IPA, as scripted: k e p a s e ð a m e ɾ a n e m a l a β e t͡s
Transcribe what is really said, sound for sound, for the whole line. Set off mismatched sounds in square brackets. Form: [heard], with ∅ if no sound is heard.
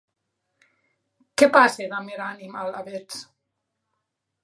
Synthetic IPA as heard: k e p a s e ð a m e ɾ a n [i] m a l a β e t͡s